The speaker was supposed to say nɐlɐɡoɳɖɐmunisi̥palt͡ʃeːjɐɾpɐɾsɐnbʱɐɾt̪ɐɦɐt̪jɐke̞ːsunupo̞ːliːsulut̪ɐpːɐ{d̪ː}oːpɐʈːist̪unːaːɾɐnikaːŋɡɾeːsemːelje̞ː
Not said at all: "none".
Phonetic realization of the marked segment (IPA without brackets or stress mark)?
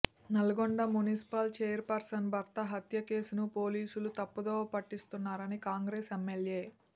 d̪